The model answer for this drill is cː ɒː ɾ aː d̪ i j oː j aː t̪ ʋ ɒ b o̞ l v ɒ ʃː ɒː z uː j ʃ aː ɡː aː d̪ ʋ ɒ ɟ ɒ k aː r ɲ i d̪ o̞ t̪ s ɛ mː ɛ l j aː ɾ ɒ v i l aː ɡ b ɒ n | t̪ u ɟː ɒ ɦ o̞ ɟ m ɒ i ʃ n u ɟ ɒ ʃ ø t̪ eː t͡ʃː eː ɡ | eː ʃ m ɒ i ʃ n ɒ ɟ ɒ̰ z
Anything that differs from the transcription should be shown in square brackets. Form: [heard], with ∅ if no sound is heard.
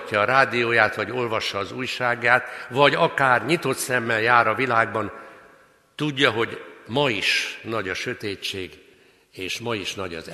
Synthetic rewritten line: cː ɒː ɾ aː d̪ i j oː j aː t̪ ʋ ɒ [ɟ] o̞ l v ɒ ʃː ɒː z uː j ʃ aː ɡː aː [t̪] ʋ ɒ ɟ ɒ k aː r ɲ i [t̪] o̞ t̪ s ɛ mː ɛ l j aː ɾ ɒ v i l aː ɡ b ɒ n | t̪ u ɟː ɒ ɦ o̞ ɟ m ɒ i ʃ n [ɒ] ɟ ɒ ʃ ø t̪ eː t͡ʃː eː ɡ | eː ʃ m ɒ i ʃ n ɒ ɟ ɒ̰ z